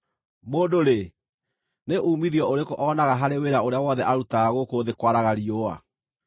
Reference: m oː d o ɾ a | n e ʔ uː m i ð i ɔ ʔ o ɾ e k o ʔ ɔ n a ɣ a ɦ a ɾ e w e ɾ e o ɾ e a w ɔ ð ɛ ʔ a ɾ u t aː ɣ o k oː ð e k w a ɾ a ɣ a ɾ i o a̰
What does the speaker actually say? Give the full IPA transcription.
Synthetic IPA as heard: m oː d o ɾ e | n e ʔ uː m i ð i ɔ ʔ o ɾ e k o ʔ ɔ n a ɣ a ɦ a ɾ e w e ɾ a o ɾ e a w ɔ ð ɛ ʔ a ɾ u t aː ɣ o k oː ð e k w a ɾ a ɣ a ɾ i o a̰